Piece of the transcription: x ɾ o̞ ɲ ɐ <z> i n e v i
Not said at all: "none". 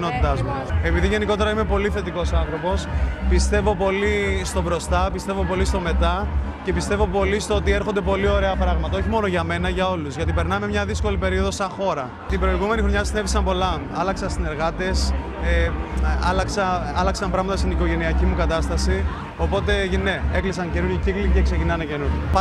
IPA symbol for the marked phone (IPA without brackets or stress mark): s